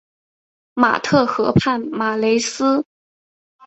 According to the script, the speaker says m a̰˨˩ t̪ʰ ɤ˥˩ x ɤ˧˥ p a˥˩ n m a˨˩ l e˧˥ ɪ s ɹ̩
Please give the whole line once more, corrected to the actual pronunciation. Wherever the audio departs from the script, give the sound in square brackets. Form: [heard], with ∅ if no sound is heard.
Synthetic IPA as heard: m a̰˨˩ t̪ʰ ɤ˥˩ x ɤ˧˥ [pʰ] a˥˩ n m a˨˩ l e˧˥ ɪ s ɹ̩